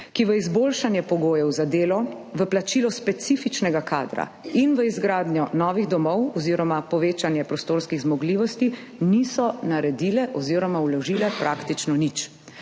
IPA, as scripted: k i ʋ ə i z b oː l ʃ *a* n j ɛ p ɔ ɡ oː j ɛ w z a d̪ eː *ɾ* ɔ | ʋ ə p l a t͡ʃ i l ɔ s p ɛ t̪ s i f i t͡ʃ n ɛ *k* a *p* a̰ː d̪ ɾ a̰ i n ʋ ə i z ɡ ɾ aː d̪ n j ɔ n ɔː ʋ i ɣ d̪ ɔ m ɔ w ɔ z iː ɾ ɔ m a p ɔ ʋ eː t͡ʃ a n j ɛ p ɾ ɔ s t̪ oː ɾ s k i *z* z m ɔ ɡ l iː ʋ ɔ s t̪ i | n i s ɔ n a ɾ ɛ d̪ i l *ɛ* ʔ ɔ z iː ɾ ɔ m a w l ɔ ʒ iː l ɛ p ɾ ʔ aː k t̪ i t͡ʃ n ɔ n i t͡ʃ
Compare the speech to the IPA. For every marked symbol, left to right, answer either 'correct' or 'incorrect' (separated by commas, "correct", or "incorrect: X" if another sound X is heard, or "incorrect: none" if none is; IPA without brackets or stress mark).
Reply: correct, incorrect: l, incorrect: ɡ, incorrect: k, incorrect: ɣ, correct